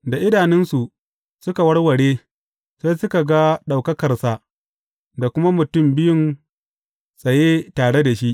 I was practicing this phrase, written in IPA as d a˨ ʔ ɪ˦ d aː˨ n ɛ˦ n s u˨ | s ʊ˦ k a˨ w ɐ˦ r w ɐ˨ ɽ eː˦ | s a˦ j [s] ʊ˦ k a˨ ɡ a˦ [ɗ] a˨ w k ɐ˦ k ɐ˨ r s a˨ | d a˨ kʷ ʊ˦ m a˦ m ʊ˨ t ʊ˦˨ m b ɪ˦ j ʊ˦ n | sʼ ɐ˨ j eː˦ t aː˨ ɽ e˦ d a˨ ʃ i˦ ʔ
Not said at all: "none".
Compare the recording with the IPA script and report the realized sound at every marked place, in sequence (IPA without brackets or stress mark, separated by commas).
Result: s, ɗ